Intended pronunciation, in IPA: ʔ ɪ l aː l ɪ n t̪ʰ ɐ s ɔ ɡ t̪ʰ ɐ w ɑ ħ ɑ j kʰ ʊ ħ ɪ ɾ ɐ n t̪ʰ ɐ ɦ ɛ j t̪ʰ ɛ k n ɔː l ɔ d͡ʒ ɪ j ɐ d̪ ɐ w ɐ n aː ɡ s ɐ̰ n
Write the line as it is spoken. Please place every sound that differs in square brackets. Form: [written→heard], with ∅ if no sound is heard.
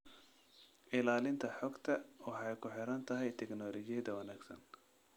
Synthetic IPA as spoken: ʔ ɪ l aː l ɪ n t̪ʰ ɐ [s→ħ] ɔ ɡ t̪ʰ ɐ w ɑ ħ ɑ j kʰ ʊ ħ ɪ ɾ ɐ n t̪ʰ ɐ ɦ ɛ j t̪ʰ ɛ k n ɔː l ɔ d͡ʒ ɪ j ɐ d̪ ɐ w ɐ n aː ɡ s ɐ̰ n